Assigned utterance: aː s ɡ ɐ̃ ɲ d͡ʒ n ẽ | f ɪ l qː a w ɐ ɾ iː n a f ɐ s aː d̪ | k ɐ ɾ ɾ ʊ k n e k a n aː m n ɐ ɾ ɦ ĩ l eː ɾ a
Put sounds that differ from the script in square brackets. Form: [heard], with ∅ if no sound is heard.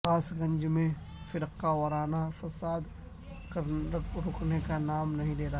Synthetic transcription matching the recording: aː s ɡ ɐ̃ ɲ d͡ʒ [m] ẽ | f ɪ [ɾ] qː a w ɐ ɾ [aː] n a f ɐ s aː d̪ | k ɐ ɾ ɾ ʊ k n e k a n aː m n ɐ [∅] ɦ ĩ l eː ɾ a